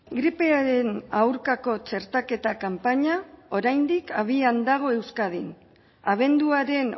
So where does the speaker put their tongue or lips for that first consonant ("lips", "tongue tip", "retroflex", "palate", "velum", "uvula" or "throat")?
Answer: velum